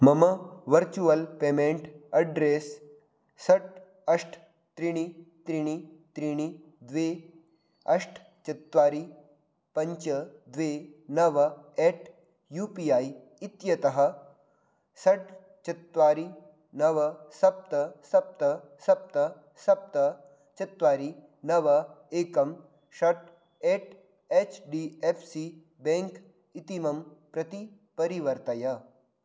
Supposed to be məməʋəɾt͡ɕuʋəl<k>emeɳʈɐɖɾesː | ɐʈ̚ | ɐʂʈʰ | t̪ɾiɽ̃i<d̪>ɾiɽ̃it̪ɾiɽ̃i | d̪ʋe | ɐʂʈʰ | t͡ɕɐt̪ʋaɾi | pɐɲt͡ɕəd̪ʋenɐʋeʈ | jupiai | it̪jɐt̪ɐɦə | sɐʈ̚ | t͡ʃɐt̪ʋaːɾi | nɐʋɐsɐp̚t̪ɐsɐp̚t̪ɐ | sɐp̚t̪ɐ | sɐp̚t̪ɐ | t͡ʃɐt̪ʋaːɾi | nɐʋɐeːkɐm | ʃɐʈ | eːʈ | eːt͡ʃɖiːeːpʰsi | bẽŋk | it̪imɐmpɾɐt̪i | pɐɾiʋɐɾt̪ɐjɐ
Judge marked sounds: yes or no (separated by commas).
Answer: no, no